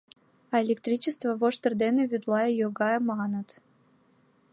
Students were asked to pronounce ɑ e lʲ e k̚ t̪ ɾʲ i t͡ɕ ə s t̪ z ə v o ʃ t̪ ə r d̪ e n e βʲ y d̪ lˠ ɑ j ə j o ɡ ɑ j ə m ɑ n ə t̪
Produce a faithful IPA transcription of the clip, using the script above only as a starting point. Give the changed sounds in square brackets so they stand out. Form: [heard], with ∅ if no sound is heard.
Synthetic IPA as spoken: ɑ e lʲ e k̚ t̪ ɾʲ i t͡ɕ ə s t̪ [v] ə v o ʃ t̪ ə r d̪ e n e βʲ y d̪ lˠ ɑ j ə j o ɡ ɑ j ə m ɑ n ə t̪